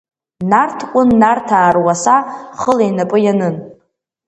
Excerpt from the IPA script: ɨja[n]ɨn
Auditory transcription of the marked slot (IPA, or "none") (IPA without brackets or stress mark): n